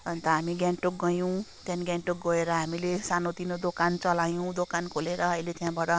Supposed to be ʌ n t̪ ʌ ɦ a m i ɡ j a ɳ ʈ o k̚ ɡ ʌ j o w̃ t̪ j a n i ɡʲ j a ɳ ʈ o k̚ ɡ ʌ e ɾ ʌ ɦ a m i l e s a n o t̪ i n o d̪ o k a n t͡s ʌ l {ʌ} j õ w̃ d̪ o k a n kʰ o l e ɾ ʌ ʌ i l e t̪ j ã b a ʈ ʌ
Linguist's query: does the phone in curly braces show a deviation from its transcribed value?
yes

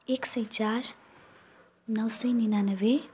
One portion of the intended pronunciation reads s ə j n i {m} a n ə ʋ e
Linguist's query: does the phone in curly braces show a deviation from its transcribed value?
yes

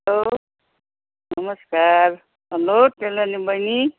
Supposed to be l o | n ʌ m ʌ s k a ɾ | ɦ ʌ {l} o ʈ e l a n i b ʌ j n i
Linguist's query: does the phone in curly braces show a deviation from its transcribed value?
no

